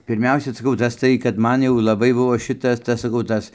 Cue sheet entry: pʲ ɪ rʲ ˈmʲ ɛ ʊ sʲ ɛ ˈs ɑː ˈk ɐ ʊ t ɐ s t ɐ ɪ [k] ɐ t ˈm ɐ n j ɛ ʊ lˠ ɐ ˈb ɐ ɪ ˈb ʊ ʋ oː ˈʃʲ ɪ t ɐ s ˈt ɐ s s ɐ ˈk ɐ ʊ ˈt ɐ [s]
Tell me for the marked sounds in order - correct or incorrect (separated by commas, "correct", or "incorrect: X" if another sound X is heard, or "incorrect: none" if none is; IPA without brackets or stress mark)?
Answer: correct, correct